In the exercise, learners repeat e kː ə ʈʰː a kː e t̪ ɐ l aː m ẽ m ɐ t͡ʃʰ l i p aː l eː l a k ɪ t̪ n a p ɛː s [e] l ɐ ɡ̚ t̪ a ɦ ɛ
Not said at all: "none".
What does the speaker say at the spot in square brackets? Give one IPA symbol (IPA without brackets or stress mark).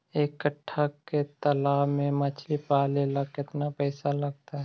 a